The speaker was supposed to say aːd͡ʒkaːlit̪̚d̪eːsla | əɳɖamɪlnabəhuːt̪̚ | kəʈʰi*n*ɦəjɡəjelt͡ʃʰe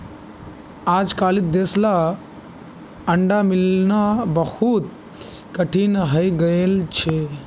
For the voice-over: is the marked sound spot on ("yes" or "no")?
yes